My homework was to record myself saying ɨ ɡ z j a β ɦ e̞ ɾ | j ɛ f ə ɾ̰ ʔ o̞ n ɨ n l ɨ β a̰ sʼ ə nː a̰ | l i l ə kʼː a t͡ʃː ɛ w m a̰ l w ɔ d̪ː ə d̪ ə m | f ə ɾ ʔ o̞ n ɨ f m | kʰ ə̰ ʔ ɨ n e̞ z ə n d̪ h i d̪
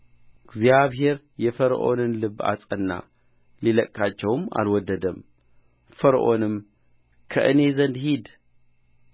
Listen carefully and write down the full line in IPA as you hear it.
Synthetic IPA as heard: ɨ ɡ z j a β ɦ e̞ ɾ | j ɛ f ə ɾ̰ ʔ o̞ n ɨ n l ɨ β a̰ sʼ ə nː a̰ | l i l ə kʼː a t͡ʃː ɛ w m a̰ l w ɔ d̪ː ə d̪ ə m | f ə ɾ ʔ o̞ n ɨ m | kʰ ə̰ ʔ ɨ n e̞ z ə n d̪ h i d̪